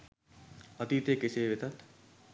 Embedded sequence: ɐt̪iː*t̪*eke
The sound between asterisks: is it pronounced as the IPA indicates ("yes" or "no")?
yes